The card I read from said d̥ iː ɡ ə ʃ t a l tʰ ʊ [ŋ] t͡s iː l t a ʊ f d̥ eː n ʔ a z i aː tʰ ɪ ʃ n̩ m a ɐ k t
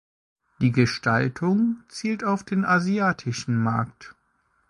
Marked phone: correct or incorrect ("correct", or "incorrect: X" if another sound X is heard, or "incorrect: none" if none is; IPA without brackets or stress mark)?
correct